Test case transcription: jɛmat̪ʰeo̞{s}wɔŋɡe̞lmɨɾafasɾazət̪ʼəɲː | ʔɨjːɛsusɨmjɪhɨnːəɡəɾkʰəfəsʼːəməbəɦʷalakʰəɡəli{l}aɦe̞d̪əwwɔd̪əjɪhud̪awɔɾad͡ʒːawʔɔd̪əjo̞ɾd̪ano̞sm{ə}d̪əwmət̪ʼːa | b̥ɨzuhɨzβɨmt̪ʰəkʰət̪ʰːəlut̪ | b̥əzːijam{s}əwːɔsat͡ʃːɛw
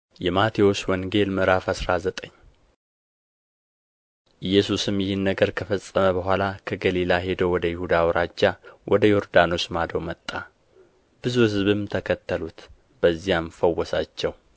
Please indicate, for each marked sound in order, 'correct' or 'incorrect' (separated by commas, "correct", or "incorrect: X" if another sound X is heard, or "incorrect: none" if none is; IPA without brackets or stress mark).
correct, correct, incorrect: a, incorrect: f